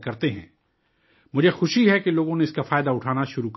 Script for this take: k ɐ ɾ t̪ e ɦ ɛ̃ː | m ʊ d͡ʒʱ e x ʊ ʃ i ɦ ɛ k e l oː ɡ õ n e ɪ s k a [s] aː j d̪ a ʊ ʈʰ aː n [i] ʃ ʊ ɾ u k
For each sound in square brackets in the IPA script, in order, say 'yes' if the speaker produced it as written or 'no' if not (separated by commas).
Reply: no, no